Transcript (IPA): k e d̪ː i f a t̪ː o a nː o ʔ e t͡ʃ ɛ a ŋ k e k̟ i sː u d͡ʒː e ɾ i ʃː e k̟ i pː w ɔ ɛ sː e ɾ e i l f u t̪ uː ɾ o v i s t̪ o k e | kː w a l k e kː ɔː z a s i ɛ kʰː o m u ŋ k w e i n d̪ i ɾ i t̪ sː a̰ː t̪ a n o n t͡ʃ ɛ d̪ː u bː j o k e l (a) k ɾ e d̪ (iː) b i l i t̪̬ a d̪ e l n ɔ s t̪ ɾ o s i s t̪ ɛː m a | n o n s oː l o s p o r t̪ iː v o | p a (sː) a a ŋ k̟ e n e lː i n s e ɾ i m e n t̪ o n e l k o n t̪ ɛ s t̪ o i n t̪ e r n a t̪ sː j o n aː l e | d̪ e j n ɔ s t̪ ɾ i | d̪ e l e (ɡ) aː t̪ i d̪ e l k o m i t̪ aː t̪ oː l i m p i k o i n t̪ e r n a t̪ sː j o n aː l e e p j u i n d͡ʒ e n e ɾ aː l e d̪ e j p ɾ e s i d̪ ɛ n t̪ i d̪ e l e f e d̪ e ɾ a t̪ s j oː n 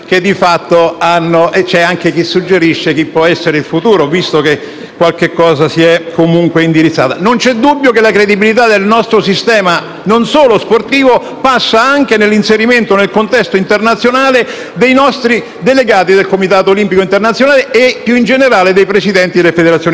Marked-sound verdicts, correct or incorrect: correct, incorrect: i, correct, correct

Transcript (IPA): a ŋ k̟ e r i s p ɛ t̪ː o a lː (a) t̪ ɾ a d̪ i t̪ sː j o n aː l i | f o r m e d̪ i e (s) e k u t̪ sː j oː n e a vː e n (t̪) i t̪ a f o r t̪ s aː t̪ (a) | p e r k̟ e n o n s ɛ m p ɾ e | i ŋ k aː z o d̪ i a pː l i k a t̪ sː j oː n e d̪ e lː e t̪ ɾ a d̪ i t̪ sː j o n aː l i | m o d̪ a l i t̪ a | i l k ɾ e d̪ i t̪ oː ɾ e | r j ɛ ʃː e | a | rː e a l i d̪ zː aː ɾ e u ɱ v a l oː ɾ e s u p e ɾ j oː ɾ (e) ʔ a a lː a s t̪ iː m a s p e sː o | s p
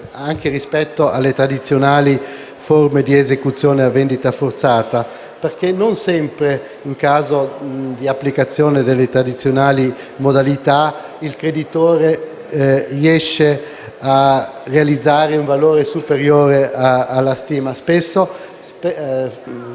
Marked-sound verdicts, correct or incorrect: incorrect: e, incorrect: z, incorrect: d̪, correct, correct

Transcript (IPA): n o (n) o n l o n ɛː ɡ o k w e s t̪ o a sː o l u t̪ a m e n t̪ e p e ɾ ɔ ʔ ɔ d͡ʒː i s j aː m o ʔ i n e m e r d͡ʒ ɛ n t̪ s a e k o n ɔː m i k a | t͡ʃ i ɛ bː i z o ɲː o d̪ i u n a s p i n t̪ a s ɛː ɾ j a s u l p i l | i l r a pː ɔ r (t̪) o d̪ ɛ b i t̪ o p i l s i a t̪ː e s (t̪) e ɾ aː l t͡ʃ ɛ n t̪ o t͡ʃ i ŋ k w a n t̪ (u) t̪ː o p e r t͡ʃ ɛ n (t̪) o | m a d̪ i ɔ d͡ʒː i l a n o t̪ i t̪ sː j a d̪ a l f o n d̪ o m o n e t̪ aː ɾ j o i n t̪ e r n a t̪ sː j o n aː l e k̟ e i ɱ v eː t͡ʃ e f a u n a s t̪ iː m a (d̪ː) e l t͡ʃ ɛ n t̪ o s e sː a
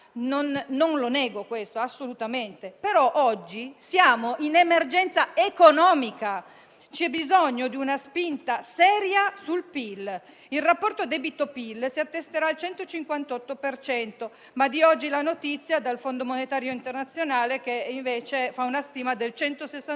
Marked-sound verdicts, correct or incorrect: incorrect: nː, correct, correct, incorrect: ɔ, correct, incorrect: d̪

